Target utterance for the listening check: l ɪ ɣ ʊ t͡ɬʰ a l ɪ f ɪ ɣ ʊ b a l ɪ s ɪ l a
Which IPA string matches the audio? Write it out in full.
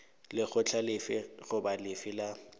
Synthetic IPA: l ɪ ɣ ʊ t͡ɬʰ a l ɪ f ɪ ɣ ʊ b a l ɪ f ɪ l a